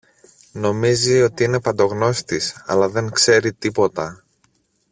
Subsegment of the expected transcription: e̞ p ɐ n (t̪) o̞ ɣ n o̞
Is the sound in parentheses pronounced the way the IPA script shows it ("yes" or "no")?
no